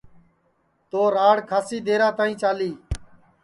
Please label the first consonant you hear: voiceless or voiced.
voiceless